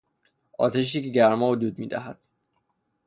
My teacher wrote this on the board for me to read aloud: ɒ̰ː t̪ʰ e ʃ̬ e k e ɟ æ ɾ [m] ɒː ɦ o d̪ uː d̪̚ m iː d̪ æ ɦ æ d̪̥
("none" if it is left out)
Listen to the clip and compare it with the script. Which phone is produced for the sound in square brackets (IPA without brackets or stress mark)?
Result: m